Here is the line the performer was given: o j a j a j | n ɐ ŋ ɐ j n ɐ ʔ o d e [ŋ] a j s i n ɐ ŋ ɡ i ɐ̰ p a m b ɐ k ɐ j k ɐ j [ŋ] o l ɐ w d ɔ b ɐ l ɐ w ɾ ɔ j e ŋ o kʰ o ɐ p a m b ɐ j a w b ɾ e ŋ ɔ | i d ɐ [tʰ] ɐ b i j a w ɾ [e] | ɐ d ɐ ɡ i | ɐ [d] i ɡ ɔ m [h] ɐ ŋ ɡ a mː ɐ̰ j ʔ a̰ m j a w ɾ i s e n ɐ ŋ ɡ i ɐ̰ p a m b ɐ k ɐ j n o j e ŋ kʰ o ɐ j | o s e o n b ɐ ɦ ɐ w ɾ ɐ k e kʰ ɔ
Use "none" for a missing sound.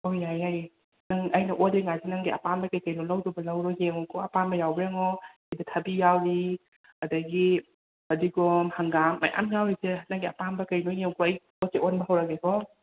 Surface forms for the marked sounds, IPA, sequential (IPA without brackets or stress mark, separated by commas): ŋ, n, tʰ, i, d, h